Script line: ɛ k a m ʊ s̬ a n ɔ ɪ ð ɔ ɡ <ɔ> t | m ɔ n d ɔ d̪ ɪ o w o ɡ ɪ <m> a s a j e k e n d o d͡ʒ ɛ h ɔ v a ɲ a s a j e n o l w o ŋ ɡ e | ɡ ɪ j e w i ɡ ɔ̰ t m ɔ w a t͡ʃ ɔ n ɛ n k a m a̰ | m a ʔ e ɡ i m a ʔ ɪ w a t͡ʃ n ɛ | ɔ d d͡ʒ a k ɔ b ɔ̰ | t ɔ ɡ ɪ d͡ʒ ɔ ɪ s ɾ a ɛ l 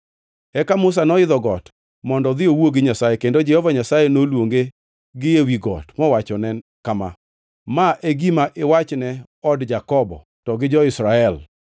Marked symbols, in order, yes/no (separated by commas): yes, no